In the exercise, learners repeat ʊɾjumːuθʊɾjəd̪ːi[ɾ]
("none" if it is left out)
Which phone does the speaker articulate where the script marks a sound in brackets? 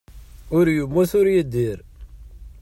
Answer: ɾ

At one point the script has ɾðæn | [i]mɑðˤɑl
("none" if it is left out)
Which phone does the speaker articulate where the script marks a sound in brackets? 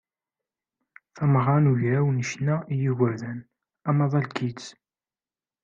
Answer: æ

